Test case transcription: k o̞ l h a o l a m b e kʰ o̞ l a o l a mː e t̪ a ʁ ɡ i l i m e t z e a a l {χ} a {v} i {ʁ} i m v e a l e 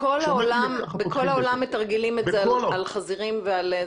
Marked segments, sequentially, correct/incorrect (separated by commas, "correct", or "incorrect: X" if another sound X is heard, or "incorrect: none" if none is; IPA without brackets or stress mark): correct, incorrect: z, correct